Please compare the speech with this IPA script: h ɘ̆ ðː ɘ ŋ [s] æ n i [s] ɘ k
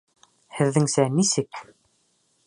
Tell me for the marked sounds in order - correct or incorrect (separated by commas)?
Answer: correct, correct